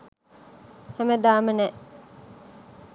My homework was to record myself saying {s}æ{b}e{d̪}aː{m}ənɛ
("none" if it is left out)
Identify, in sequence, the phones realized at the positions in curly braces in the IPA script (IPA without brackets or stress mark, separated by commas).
h, m, d̪, m